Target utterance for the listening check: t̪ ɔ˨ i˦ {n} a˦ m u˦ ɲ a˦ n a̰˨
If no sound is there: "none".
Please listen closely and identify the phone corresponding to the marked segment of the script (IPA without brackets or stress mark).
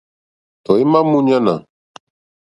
m